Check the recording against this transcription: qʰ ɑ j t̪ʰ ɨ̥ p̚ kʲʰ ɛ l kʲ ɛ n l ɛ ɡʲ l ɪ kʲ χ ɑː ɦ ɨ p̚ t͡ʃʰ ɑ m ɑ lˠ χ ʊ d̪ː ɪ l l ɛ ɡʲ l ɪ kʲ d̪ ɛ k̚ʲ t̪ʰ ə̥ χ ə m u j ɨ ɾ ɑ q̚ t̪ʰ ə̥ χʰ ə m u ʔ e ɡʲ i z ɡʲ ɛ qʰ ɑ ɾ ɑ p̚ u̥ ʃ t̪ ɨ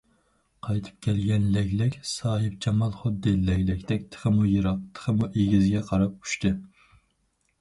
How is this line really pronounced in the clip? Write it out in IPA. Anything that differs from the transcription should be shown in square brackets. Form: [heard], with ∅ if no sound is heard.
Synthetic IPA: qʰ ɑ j t̪ʰ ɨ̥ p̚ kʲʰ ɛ l [ɡʲ] ɛ n l ɛ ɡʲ l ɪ kʲ [s] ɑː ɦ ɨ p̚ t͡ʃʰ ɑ m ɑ lˠ χ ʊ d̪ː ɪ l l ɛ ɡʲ l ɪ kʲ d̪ ɛ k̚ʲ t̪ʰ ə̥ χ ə m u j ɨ ɾ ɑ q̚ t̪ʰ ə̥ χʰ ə m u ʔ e ɡʲ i z ɡʲ ɛ qʰ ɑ ɾ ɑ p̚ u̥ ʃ t̪ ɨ